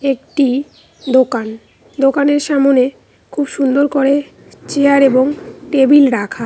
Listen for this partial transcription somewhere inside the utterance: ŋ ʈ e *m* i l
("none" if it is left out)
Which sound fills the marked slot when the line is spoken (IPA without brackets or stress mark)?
b